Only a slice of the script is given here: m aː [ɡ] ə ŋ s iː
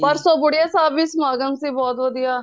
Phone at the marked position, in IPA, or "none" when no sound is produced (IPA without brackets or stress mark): ɡ